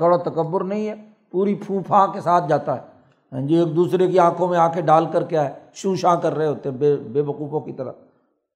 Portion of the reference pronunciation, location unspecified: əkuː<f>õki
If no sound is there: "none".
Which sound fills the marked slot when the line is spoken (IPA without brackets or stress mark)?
f